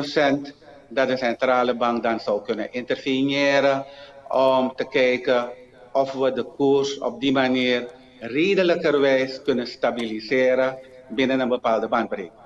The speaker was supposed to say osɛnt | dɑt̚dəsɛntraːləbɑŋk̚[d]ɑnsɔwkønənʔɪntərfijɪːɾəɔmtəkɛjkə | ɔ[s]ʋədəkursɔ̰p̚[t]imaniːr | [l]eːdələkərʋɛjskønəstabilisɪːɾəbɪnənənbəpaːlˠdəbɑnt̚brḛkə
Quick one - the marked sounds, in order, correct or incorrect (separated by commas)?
correct, incorrect, incorrect, incorrect